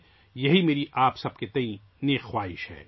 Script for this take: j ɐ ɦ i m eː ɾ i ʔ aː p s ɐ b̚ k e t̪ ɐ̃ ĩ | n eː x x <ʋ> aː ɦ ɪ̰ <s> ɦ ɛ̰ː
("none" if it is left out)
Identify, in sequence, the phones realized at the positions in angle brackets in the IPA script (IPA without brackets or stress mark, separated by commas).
w, ʃ